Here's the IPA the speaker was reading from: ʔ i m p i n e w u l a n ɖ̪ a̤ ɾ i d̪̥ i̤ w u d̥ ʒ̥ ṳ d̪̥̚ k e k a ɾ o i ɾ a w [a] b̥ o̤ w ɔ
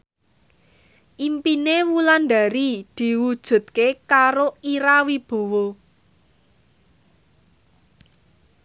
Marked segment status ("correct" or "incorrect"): incorrect